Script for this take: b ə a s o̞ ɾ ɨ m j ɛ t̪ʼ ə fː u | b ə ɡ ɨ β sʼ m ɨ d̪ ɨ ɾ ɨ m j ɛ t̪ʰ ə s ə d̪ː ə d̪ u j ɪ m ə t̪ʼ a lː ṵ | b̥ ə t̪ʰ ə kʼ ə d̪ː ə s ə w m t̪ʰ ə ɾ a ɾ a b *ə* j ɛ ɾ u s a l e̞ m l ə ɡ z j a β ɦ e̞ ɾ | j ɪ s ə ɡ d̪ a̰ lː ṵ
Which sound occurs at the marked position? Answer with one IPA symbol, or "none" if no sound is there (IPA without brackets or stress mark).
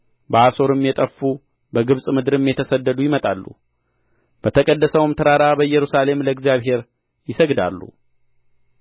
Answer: ə